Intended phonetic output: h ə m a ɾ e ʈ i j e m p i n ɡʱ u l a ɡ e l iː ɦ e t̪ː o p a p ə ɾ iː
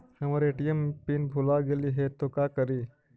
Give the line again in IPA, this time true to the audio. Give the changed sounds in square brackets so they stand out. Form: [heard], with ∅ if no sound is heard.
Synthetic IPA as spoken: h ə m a ɾ e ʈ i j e m p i n [bʱ] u l a ɡ e l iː ɦ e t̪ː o [k] a [k] ə ɾ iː